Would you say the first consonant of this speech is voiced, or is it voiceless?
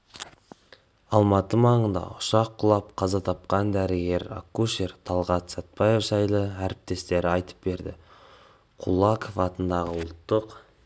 voiced